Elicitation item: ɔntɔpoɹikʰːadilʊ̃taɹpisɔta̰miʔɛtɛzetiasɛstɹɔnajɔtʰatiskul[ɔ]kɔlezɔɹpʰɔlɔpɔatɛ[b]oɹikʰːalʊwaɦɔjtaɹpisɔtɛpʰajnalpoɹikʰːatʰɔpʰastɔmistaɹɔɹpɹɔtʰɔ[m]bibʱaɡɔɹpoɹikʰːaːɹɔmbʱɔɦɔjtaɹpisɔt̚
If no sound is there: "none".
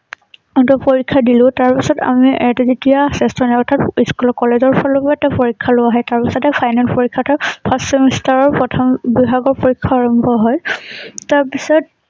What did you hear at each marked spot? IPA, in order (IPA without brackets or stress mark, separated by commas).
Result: ɔ, p, m